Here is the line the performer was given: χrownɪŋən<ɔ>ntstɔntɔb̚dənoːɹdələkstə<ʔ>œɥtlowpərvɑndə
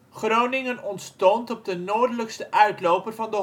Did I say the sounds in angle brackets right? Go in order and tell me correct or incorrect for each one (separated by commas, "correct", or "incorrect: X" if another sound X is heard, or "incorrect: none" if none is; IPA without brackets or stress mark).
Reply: correct, correct